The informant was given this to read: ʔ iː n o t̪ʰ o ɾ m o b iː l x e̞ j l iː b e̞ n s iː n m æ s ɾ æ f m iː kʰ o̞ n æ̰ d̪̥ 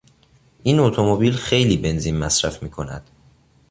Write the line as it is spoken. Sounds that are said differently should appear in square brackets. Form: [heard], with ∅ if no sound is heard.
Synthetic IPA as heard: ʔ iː n o t̪ʰ o [∅] m o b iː l x e̞ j l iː b e̞ n [z] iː n m æ s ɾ æ f m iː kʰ o̞ n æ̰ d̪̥